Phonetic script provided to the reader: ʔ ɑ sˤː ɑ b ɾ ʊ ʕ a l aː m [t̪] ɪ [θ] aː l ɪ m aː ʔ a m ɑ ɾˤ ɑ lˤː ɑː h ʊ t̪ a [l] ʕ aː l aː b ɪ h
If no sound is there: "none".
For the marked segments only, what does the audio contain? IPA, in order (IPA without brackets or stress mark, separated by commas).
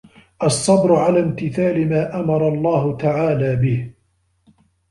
t̪, θ, none